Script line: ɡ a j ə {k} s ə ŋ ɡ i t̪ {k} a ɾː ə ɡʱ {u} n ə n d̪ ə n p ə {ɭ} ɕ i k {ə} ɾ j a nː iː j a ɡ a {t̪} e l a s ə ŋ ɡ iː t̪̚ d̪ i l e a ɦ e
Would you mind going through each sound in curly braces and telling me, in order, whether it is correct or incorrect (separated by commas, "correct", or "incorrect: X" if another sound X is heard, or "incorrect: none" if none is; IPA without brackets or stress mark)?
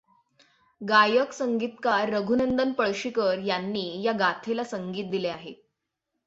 correct, correct, correct, correct, correct, incorrect: t̪ʰ